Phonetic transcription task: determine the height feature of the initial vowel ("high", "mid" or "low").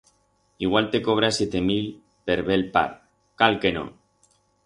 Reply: high